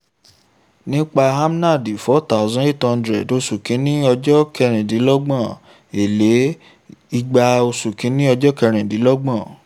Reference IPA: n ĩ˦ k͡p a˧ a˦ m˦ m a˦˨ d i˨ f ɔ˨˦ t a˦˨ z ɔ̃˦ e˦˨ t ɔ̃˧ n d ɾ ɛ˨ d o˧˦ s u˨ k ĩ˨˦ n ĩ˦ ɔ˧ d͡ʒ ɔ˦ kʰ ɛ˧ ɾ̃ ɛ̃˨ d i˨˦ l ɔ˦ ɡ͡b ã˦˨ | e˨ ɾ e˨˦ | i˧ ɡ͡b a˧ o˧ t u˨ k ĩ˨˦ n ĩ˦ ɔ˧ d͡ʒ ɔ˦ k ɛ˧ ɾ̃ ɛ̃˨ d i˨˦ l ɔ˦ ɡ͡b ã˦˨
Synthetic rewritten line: n ĩ˦ k͡p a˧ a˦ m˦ n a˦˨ d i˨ f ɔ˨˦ t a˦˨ z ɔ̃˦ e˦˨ t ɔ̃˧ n d ɾ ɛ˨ d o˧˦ s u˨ k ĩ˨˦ n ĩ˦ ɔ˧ d͡ʒ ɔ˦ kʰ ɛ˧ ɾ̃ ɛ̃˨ d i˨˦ l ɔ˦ ɡ͡b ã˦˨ | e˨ l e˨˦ | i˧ ɡ͡b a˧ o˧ s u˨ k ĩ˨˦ n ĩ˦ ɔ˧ d͡ʒ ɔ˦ k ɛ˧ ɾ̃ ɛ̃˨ d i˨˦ l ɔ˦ ɡ͡b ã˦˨